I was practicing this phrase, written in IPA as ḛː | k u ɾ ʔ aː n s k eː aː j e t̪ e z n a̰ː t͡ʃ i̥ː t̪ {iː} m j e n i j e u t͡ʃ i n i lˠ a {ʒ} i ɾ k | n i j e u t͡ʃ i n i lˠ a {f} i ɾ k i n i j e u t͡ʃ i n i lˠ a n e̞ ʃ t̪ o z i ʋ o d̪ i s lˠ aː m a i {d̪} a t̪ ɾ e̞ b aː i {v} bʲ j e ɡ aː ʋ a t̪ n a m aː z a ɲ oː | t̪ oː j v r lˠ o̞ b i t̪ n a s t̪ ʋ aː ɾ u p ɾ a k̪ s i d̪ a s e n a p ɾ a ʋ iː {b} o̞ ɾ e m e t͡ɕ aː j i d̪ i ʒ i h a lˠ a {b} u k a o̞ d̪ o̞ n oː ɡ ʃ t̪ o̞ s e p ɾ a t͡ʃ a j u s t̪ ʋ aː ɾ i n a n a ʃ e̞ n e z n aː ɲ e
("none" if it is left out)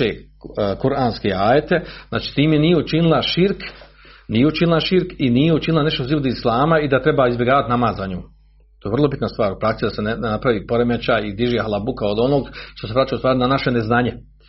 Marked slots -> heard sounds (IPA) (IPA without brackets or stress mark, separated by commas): iː, ʃ, ʃ, d̪, z, p, b